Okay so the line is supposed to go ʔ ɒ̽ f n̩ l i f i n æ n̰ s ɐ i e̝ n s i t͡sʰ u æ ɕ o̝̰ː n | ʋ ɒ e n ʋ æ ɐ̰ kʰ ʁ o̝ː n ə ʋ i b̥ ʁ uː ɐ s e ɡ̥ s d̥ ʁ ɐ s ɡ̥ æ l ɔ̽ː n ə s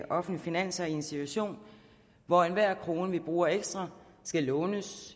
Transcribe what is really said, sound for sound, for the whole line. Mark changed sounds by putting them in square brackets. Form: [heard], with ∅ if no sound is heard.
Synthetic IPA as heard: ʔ ɒ̽ f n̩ l i f i n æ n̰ s ɐ i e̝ n s i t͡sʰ u æ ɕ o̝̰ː n | ʋ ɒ e n ʋ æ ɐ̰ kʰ ʁ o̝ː n ə ʋ i b̥ ʁ uː ɐ [∅] e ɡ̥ s d̥ ʁ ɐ s ɡ̥ æ l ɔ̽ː n ə s